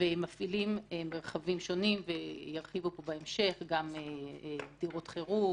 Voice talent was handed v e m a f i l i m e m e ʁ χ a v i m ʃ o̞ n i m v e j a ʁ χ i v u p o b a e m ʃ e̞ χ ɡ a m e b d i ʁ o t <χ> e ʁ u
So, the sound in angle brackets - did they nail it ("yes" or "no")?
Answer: yes